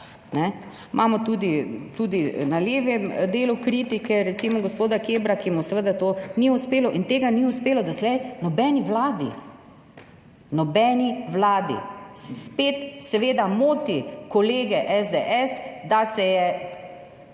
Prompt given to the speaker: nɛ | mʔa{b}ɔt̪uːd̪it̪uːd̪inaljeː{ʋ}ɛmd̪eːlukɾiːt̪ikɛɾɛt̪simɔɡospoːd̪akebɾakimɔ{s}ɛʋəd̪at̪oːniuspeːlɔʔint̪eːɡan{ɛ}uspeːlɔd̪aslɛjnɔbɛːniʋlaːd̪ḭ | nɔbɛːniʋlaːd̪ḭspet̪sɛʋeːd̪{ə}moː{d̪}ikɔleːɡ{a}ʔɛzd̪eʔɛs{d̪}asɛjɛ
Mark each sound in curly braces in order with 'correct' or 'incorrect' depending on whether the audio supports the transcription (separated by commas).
incorrect, correct, correct, incorrect, incorrect, incorrect, incorrect, correct